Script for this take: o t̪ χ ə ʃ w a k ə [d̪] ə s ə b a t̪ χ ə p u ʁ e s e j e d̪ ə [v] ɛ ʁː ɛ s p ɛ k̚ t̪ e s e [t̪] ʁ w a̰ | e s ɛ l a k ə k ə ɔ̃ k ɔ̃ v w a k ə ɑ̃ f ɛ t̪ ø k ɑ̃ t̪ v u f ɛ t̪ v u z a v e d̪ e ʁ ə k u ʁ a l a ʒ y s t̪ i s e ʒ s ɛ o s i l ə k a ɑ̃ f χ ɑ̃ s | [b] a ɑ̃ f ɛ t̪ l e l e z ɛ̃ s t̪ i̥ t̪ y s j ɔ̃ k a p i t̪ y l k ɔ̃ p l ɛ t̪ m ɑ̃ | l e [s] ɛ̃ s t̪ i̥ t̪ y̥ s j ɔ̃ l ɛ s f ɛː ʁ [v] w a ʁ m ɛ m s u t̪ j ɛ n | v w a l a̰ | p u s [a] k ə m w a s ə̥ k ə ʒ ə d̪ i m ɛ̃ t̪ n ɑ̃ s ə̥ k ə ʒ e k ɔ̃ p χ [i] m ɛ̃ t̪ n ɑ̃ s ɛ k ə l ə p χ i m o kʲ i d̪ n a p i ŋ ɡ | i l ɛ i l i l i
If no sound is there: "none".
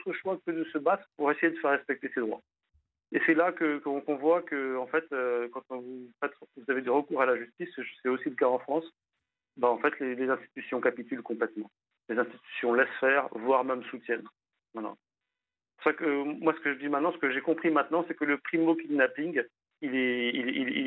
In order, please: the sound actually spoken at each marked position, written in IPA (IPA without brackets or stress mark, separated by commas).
d̪, f, d̪, b, z, v, a, i